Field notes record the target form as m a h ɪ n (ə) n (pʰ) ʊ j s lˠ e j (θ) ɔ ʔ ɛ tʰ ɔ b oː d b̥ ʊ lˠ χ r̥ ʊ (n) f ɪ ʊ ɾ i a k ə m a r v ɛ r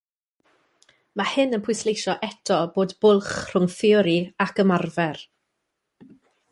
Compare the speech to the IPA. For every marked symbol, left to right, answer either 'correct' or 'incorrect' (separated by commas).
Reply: correct, correct, incorrect, incorrect